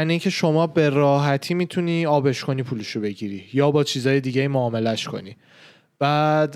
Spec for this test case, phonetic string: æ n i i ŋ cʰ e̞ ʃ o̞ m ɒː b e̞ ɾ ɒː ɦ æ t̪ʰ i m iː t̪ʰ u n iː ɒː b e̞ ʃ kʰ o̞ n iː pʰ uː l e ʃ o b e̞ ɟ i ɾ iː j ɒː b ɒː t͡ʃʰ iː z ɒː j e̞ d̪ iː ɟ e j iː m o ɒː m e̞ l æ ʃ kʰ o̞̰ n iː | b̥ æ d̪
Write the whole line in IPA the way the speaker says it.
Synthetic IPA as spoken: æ n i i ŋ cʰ e̞ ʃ o̞ m ɒː b e̞ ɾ ɒː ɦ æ t̪ʰ iː m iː t̪ʰ u n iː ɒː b e̞ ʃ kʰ o̞ n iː pʰ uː l e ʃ o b e̞ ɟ i ɾ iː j ɒː b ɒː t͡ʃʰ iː z ɒː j e̞ d̪ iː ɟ e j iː m o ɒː m e̞ l æ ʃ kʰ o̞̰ n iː | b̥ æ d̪